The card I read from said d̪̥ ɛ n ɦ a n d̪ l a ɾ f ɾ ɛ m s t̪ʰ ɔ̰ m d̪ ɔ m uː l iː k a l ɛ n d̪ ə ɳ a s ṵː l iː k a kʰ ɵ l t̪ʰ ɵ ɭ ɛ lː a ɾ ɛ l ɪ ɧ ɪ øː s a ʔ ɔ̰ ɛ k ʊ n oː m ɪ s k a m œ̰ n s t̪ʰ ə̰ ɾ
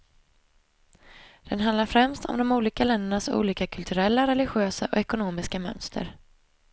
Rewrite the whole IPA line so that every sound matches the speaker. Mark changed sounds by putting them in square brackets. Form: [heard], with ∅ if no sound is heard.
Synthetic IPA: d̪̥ ɛ n ɦ a n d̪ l a ɾ f ɾ ɛ m s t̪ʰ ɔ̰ m d̪ ɔ m uː l iː k a l ɛ n d̪ ə ɳ a s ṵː l iː k a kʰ ɵ l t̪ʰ ɵ [ɾ] ɛ lː a ɾ ɛ l ɪ ɧ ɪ øː s a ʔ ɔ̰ ɛ k ʊ n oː m ɪ s k a m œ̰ n s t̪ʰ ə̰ ɾ